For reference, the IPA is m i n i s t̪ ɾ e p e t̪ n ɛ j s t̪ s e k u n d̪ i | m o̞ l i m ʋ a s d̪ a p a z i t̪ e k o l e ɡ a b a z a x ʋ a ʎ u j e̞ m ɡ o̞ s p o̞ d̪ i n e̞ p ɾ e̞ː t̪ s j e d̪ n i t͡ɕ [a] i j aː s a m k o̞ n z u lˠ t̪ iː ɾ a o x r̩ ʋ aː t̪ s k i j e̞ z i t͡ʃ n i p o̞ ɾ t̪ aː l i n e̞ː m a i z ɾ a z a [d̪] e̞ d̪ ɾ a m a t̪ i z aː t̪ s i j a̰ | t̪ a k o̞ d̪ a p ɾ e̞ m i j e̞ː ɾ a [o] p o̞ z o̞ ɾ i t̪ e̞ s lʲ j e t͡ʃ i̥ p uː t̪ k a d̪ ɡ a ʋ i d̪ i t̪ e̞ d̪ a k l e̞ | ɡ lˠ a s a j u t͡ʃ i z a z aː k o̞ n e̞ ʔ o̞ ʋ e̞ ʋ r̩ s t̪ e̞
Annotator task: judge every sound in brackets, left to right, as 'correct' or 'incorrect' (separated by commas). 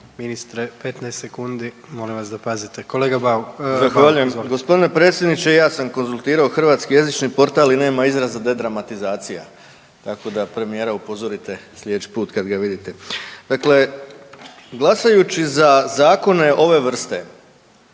incorrect, correct, incorrect